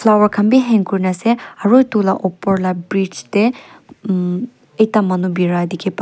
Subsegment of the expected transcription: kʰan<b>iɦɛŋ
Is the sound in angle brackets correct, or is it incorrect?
correct